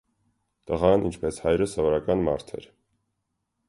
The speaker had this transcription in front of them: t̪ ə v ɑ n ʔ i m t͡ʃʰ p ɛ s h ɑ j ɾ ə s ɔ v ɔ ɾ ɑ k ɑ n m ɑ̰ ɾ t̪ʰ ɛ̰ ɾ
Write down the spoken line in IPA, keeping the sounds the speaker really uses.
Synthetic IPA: t̪ ə ʁ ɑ n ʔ i n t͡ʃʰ p ɛ s h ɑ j ɾ ə s ɔ v ɔ ɾ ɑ k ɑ n m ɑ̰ ɾ t̪ʰ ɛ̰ ɾ